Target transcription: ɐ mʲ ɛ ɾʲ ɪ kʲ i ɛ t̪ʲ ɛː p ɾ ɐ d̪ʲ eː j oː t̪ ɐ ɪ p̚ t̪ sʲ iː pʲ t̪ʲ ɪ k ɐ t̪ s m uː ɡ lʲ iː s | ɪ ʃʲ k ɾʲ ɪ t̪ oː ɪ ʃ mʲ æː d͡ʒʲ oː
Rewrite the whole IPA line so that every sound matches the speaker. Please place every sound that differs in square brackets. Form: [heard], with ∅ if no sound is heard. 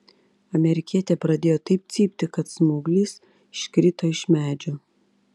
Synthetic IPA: ɐ mʲ ɛ ɾʲ ɪ kʲ i ɛ t̪ʲ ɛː p ɾ ɐ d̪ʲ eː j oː t̪ ɐ ɪ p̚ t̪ sʲ iː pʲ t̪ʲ ɪ k ɐ t̪ s m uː ɡ lʲ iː s | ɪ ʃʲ k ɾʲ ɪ t̪ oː ɪ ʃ mʲ æː d͡ʒʲ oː